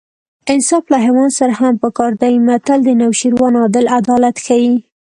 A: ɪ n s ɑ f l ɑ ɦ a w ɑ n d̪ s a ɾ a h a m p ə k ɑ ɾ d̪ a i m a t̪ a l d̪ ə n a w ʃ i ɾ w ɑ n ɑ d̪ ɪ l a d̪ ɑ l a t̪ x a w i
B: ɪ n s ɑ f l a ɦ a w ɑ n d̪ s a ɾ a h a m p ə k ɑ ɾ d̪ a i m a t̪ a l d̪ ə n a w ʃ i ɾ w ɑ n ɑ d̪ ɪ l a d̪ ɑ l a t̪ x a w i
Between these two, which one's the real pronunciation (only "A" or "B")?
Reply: B